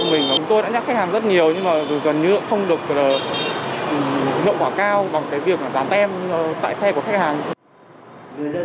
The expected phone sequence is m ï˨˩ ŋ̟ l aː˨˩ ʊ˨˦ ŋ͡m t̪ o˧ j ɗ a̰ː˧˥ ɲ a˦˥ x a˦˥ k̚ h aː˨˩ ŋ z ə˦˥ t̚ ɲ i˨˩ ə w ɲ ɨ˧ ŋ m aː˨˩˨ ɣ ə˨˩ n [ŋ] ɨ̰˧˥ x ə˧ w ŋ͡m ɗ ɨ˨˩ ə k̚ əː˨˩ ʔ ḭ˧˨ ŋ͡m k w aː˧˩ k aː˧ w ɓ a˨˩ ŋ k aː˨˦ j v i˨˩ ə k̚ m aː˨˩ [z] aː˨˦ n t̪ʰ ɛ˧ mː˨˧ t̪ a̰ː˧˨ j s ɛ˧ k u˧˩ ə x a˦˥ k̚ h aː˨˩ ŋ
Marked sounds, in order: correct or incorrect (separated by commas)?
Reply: incorrect, correct